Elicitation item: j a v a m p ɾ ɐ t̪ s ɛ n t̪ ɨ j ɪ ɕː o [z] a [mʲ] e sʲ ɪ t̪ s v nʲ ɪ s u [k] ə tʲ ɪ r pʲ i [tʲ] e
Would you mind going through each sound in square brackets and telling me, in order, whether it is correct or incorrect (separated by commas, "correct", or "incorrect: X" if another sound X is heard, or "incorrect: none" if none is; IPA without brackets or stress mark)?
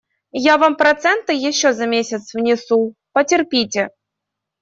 correct, correct, incorrect: p, correct